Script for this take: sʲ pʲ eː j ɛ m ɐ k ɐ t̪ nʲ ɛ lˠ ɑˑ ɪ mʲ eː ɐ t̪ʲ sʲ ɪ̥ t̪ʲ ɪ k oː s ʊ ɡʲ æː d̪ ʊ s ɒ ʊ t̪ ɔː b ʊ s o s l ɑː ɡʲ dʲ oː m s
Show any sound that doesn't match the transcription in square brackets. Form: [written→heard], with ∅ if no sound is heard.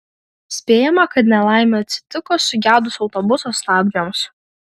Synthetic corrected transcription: sʲ pʲ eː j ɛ m ɐ k ɐ t̪ nʲ ɛ lˠ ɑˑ ɪ mʲ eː ɐ t̪ʲ sʲ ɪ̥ t̪ʲ ɪ k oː s ʊ ɡʲ æː d̪ ʊ s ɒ ʊ t̪ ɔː b ʊ s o s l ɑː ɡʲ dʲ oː m s